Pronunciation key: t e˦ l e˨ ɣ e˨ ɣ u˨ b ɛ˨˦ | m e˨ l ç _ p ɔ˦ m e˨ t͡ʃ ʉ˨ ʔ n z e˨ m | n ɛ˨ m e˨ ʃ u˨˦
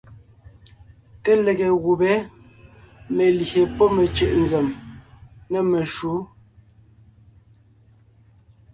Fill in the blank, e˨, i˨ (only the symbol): e˨